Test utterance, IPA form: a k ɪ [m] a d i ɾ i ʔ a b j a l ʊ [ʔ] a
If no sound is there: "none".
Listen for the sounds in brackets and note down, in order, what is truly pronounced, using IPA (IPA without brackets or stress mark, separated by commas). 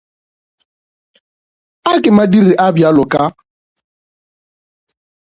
m, k